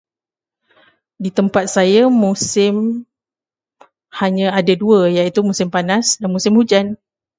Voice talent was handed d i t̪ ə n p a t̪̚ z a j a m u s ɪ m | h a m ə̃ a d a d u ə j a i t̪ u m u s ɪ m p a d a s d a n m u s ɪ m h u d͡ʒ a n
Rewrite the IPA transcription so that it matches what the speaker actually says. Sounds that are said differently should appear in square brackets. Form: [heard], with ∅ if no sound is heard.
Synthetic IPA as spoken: d i t̪ ə [m] p a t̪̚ [s] a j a m u s ɪ m | h a [ɲ] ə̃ a d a d u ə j a i t̪ u m u s ɪ m p a [n] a s d a n m u s ɪ m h u d͡ʒ a n